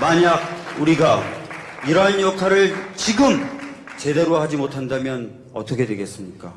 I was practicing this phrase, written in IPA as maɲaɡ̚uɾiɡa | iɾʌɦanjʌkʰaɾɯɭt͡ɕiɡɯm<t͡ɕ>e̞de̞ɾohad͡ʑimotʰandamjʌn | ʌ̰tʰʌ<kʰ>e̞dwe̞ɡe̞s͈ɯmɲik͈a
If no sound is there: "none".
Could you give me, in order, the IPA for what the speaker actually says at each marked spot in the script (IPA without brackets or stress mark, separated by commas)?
t͡ɕ, kʰ